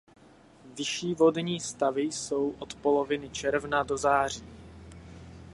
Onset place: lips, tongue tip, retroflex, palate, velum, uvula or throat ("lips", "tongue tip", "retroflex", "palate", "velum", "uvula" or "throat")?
lips